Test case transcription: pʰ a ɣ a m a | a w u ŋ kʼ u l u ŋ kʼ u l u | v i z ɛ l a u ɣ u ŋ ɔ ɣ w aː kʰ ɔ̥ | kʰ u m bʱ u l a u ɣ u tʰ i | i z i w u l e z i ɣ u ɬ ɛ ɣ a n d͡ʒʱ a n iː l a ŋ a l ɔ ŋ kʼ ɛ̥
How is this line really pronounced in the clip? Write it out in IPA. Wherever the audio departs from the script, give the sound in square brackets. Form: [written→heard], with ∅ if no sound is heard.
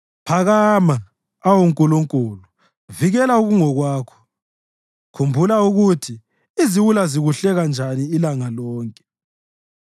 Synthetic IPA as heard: pʰ a ɣ a m a | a w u ŋ kʼ u l u ŋ kʼ u l u | v i [z→ɣ] ɛ l a u ɣ u ŋ ɔ ɣ w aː kʰ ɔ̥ | kʰ u m bʱ u l a u ɣ u tʰ i | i z i w u l [e→a] z i ɣ u ɬ ɛ ɣ a n d͡ʒʱ a n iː l a ŋ a l [ɔ→ɔː] ŋ kʼ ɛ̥